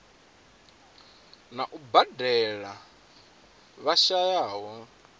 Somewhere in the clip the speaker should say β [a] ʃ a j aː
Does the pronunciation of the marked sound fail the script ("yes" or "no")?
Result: no